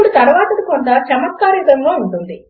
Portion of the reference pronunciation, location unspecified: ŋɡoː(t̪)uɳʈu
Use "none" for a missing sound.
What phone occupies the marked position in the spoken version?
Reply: none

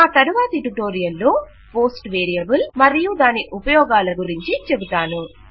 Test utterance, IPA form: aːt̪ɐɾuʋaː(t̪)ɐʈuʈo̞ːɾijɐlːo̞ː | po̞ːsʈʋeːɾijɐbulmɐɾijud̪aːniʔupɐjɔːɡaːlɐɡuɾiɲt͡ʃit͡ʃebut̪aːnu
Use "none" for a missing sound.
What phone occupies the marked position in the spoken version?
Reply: t̪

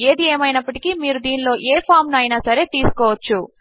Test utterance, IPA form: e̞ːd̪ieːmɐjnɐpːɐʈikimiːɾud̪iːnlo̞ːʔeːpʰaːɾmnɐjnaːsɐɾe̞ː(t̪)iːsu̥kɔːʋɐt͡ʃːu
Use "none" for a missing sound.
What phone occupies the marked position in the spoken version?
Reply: t̪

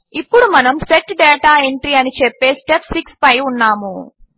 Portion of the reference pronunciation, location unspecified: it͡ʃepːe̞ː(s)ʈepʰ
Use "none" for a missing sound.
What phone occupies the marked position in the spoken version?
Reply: s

